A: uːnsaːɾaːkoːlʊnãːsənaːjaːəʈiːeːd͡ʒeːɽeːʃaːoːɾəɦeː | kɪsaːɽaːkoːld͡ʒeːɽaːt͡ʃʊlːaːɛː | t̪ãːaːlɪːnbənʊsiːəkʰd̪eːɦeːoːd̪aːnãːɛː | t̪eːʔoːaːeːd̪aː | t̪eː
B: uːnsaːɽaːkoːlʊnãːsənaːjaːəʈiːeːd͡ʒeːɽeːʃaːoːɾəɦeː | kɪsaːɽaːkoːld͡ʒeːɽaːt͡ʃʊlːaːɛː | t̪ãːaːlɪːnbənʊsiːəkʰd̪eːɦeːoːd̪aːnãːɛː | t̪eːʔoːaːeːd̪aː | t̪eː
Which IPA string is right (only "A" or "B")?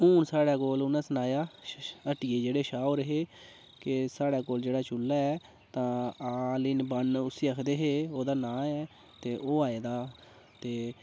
B